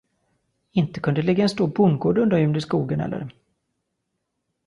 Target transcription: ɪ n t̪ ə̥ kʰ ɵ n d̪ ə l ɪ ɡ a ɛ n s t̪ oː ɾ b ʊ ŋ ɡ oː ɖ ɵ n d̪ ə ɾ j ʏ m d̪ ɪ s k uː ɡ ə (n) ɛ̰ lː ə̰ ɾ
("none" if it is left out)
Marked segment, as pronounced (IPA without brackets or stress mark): n